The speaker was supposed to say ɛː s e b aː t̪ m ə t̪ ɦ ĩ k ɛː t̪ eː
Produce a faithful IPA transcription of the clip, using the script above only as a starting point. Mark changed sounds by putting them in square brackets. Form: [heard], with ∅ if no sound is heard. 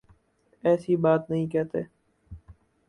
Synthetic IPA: ɛː s [i] b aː t̪ [n] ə [∅] ɦ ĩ k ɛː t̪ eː